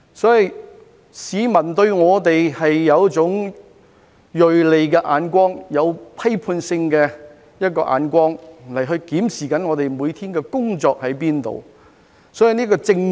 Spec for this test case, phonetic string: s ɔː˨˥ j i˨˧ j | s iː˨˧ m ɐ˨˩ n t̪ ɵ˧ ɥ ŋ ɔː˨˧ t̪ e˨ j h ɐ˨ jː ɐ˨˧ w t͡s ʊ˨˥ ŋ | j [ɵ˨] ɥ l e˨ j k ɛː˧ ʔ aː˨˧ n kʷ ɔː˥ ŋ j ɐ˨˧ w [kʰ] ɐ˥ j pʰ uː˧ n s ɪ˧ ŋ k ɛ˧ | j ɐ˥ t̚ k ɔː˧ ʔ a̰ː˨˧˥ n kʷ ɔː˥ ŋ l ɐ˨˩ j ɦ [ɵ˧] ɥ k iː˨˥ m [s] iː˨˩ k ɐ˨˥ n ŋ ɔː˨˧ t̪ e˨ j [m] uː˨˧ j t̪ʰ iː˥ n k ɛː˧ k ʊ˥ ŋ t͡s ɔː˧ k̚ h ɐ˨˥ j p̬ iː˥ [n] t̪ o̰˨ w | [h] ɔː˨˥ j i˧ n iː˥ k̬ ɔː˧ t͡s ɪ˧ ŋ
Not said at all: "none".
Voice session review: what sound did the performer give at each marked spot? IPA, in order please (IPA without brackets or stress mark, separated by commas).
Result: ɵ˨, pʰ, ɵ˧, s, m, n, s